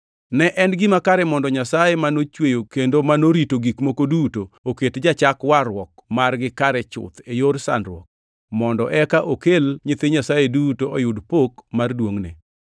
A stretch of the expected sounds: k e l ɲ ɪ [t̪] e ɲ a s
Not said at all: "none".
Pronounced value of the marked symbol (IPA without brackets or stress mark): t̪